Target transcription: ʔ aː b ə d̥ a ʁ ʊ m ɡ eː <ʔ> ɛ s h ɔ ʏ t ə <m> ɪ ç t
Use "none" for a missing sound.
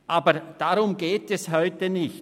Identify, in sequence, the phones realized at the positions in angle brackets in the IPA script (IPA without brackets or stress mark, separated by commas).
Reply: t, n